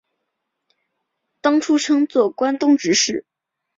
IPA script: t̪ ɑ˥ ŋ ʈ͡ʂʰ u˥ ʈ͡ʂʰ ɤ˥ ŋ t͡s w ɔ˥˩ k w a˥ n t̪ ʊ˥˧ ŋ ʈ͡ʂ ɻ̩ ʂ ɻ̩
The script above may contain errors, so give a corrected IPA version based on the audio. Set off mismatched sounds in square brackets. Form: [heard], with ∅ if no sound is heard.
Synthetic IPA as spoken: t̪ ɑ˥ ŋ ʈ͡ʂʰ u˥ ʈ͡ʂʰ ɤ˥ ŋ t͡s w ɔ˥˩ k w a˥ n t̪ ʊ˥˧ ŋ ʈ͡ʂ ɻ̩ ʂ ɻ̩